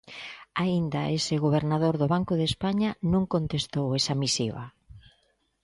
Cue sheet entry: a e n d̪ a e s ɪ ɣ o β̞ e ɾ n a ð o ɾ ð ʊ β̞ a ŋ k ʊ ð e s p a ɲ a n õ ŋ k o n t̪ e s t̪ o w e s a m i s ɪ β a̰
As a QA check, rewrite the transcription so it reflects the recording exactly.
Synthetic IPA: a i n d̪ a e s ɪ ɣ o β̞ e ɾ n a ð o ɾ ð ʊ β̞ a ŋ k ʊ ð e s p a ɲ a n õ ŋ k o n t̪ e s t̪ o w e s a m i s i β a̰